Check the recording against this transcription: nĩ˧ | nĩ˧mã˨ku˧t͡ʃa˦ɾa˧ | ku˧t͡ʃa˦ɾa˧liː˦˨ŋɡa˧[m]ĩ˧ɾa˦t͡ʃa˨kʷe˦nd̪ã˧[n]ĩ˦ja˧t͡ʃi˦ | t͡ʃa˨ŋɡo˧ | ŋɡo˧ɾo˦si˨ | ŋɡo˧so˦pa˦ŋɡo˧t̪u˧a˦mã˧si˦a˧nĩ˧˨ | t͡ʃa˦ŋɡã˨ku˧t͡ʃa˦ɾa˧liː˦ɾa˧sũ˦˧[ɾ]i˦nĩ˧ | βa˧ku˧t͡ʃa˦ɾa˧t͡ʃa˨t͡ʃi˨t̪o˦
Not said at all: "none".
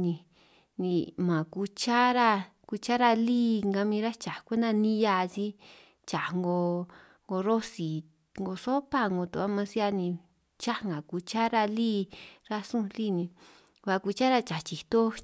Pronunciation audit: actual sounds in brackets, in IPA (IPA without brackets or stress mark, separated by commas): m, n, l